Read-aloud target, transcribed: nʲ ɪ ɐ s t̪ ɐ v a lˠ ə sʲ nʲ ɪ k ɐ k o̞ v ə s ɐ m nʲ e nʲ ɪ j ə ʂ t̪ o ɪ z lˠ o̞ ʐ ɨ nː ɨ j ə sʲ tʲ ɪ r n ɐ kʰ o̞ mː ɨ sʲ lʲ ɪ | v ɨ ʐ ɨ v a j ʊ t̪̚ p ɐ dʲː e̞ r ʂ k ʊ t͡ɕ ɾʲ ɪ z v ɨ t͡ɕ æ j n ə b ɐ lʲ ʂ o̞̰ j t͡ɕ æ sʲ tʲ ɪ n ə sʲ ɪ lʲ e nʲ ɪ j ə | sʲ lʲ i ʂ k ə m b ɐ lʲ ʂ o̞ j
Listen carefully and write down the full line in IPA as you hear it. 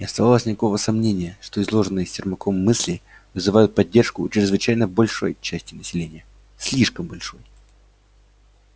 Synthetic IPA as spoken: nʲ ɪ ɐ s t̪ ɐ v a lˠ ə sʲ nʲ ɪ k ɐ k o̞ v ə s ɐ m nʲ e nʲ ɪ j ə ʂ t̪ o ɪ z lˠ o̞ ʐ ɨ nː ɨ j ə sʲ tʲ ɪ r m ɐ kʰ o̞ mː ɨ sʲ lʲ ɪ | v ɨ z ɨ v a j ʊ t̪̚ p ɐ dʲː e̞ r ʂ k ʊ t͡ɕ ɾʲ ɪ z v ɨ t͡ɕ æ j n ə b ɐ lʲ ʂ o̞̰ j t͡ɕ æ sʲ tʲ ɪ n ə sʲ ɪ lʲ e nʲ ɪ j ə | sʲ lʲ i ʂ k ə m b ɐ lʲ ʂ o̞ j